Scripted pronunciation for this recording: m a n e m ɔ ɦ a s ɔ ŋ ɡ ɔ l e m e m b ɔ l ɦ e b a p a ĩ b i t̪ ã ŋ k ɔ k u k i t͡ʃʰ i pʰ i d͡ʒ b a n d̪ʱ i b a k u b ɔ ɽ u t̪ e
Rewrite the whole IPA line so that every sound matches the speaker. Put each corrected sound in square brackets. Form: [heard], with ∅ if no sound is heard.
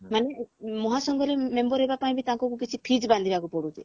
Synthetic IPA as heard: m a n e m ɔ ɦ a s ɔ ŋ ɡ ɔ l e m e m b ɔ [ɾ] ɦ e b a p a ĩ b i t̪ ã ŋ k ɔ k u k i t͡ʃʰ i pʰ i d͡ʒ b a n d̪ʱ i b a k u [p] ɔ ɽ u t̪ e